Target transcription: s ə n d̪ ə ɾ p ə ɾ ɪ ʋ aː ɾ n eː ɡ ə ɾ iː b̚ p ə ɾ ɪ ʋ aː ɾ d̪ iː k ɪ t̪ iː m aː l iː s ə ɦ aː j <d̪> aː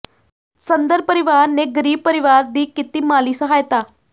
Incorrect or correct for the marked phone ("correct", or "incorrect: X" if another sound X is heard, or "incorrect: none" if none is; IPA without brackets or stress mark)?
incorrect: t̪